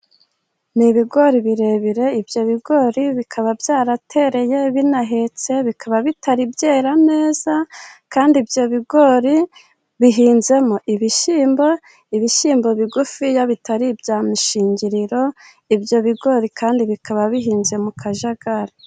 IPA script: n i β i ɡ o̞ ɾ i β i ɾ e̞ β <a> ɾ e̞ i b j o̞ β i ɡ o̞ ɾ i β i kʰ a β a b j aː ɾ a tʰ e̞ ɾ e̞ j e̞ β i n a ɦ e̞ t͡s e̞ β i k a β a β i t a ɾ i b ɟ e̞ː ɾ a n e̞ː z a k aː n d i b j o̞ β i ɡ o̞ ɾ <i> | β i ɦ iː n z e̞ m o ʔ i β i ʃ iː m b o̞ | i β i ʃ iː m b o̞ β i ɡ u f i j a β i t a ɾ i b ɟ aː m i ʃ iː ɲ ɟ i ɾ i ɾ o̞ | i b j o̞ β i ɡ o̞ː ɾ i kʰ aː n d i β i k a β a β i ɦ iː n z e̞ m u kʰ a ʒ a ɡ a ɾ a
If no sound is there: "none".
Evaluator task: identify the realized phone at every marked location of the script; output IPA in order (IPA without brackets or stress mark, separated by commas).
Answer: i, i